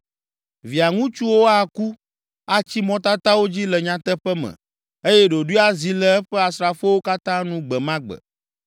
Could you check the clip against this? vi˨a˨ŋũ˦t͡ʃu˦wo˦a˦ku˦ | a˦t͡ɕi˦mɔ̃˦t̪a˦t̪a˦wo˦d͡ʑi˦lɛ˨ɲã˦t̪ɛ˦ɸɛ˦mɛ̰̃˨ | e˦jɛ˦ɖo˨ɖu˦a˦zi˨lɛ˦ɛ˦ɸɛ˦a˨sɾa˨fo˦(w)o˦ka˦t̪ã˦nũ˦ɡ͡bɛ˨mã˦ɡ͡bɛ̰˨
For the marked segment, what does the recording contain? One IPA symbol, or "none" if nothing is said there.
w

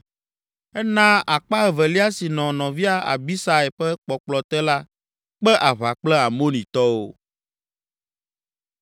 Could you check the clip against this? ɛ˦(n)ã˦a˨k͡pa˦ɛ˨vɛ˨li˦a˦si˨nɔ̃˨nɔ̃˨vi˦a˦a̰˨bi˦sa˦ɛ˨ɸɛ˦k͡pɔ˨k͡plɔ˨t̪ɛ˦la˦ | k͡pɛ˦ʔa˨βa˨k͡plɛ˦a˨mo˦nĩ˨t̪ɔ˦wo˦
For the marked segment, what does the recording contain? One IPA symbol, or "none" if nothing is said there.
n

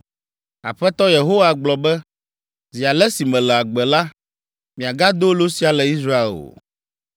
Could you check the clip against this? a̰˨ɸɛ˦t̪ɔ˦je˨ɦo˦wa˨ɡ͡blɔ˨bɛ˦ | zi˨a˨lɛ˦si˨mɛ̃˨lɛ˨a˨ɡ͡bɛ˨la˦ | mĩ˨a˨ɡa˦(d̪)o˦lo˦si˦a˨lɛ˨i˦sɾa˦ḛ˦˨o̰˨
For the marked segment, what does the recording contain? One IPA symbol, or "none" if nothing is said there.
d̪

